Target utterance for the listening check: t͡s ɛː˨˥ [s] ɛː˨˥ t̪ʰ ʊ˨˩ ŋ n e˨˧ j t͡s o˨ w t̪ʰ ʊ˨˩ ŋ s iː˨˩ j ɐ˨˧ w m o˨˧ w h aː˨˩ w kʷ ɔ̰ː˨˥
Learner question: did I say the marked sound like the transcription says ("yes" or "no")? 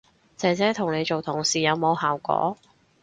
no